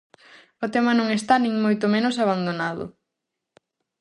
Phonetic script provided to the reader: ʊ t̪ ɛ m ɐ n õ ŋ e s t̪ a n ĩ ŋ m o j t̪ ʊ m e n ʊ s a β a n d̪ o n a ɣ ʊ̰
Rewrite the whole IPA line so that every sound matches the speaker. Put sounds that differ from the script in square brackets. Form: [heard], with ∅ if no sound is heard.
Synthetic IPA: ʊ t̪ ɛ m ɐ n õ ŋ e s t̪ a n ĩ ŋ m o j t̪ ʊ m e n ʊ s a β a n d̪ o n a [ð] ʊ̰

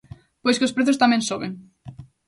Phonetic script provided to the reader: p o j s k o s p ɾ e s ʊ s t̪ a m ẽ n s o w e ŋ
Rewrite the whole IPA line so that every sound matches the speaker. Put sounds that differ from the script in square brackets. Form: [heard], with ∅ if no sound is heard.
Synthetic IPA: p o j s k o s p ɾ e [θ] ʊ s t̪ a m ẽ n s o [β] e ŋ

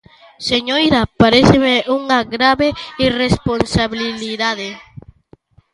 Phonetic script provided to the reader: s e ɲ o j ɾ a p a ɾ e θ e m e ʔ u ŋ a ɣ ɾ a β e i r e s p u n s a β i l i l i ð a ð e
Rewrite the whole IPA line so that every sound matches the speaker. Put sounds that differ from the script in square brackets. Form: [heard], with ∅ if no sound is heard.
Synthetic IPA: s e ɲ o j ɾ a p a ɾ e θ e m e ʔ u ŋ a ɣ ɾ a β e i r e s p [o] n s a β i l i l i ð a ð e

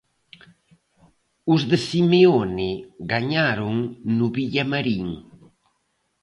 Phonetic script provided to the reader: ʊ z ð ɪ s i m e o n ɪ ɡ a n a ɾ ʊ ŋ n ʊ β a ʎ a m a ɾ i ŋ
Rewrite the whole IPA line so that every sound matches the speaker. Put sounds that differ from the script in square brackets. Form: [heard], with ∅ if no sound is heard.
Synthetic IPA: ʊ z ð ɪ s i m e o n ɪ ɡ a [ɲ] a ɾ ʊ ŋ n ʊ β [i] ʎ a m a ɾ i ŋ

